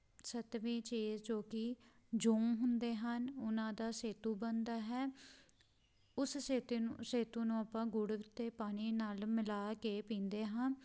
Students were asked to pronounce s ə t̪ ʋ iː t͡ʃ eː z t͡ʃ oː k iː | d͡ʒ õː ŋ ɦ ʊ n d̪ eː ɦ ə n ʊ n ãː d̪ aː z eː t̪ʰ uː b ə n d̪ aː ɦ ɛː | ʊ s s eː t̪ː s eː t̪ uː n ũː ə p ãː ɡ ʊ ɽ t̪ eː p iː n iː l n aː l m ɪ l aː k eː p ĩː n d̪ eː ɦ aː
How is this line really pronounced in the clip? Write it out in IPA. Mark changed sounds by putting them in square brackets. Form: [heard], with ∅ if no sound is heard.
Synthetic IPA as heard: s ə t̪ ʋ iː t͡ʃ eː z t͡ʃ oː k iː | d͡ʒ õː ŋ ɦ ʊ n d̪ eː ɦ ə n ʊ n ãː d̪ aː [s] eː [t̪] uː b ə n d̪ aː ɦ ɛː | ʊ s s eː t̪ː s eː t̪ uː n ũː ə p ãː ɡ ʊ ɽ t̪ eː p [aː] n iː [∅] n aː l m ɪ l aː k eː p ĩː n d̪ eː ɦ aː